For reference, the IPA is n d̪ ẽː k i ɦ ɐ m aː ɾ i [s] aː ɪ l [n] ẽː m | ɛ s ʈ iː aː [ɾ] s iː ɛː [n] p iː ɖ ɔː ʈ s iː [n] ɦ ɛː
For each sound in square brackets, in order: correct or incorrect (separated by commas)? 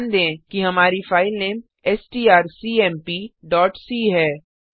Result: incorrect, correct, correct, incorrect, incorrect